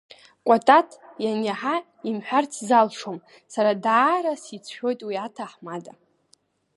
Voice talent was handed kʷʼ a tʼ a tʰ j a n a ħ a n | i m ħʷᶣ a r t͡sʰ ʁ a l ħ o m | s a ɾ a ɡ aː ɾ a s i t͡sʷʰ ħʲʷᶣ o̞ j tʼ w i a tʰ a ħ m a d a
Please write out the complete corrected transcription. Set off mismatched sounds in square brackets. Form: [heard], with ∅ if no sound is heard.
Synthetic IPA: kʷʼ a tʼ a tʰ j a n a ħ a [∅] | i m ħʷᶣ a r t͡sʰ [z] a l [ʂ] o m | s a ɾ a [d] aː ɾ a s i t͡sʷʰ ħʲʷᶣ o̞ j tʼ w i a tʰ a ħ m a d a